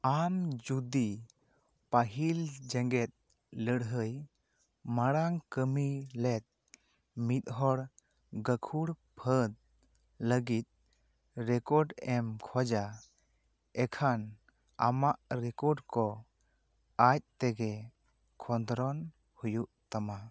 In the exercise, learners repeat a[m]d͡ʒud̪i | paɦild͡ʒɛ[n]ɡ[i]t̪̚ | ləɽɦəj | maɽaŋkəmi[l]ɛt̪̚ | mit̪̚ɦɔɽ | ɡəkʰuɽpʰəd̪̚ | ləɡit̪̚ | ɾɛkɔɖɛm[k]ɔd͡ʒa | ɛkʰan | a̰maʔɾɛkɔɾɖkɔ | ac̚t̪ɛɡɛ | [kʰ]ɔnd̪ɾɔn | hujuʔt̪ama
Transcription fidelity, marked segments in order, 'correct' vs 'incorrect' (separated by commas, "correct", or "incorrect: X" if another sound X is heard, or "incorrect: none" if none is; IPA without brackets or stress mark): correct, incorrect: ŋ, incorrect: ɛ, correct, incorrect: kʰ, correct